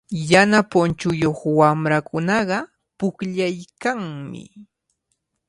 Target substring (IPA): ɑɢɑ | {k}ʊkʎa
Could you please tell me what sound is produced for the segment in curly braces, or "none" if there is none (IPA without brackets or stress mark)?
p